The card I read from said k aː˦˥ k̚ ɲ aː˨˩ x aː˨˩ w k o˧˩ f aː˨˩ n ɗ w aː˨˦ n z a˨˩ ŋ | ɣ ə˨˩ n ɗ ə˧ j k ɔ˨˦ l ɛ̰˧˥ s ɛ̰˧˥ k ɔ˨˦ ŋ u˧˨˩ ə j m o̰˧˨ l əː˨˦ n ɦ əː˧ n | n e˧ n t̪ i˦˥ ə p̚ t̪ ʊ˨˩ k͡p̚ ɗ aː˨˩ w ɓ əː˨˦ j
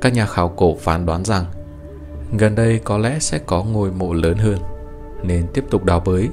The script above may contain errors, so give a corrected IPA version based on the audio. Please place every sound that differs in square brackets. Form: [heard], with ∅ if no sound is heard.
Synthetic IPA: k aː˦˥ k̚ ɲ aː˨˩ x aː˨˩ w k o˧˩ f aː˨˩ n ɗ w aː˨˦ n z a˨˩ ŋ | ɣ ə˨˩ n ɗ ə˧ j k ɔ˨˦ l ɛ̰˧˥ s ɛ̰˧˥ k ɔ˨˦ ŋ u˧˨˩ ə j m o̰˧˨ l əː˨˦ n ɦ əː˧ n | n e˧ n t̪ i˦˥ ə p̚ t̪ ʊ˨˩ k͡p̚ ɗ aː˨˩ w ɓ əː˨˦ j